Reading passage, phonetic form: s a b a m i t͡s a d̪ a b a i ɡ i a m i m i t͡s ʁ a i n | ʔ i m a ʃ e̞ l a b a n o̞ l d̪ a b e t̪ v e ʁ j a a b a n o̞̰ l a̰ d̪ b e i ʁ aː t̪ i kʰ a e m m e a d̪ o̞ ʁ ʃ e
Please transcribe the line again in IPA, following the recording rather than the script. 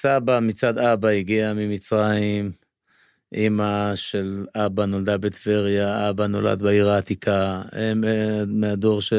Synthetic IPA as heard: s a b a m i t͡s a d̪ a b a i ɡ i a m i m i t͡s ʁ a i m | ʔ i m a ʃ e̞ l a b a n o̞ l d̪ a b e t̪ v e ʁ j a a b a n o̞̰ l a̰ d̪ b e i ʁ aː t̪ i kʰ a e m m e a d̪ o̞ ʁ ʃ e